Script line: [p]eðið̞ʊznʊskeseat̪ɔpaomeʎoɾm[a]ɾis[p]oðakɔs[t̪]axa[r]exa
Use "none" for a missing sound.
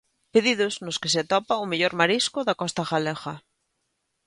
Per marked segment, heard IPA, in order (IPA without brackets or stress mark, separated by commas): p, a, k, t̪, l